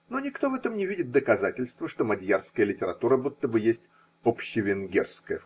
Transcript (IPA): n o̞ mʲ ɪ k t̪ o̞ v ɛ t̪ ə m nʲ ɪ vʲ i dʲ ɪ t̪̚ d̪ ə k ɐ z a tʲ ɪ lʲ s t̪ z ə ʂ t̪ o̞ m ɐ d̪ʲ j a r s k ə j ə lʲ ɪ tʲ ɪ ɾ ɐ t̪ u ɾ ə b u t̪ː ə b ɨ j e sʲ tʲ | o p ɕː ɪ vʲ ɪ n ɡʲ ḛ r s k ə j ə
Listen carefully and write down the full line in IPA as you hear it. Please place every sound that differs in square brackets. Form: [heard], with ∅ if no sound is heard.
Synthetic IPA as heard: n o̞ [nʲ] ɪ k t̪ o̞ v ɛ t̪ ə m nʲ ɪ vʲ i dʲ ɪ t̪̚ d̪ ə k ɐ z a tʲ ɪ lʲ s t̪ [v] ə ʂ t̪ o̞ m ɐ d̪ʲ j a r s k ə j ə lʲ ɪ tʲ ɪ ɾ ɐ t̪ u ɾ ə b u t̪ː ə b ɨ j e sʲ tʲ | o p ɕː ɪ vʲ ɪ n ɡʲ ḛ r s k ə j ə